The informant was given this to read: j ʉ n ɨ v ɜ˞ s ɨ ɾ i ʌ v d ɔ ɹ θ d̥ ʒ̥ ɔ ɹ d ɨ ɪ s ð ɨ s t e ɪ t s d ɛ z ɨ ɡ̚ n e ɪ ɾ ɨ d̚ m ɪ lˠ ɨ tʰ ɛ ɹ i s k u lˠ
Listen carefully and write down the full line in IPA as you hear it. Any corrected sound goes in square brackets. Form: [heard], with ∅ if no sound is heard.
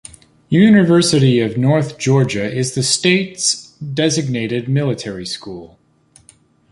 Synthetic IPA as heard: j ʉ n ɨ v ɜ˞ s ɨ ɾ i ʌ v [n] ɔ ɹ θ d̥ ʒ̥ ɔ ɹ [d͡ʒ] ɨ ɪ [z] ð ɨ s t e ɪ t s d ɛ z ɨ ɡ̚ n e ɪ ɾ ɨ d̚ m ɪ lˠ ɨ tʰ ɛ ɹ i s k u lˠ